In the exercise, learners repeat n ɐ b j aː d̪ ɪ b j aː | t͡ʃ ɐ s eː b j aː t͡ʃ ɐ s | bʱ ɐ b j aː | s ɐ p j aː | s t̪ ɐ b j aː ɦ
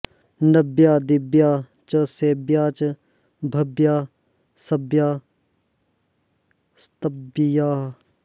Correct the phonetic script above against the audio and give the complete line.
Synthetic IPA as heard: n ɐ b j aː d̪ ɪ b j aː | t͡ʃ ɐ s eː b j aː t͡ʃ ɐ | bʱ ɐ b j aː | s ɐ b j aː | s t̪ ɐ b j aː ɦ